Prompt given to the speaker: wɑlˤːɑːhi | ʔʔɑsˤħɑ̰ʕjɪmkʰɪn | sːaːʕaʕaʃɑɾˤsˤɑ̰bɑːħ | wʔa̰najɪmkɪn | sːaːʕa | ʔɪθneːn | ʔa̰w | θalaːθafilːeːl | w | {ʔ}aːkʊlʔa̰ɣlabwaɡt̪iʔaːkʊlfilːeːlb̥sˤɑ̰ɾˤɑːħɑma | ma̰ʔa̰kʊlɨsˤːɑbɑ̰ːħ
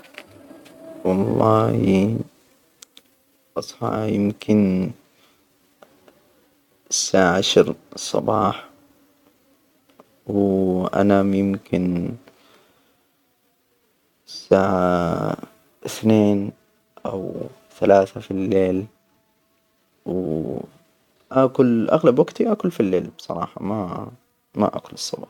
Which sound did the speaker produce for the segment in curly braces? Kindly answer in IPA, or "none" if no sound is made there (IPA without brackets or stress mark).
ʔ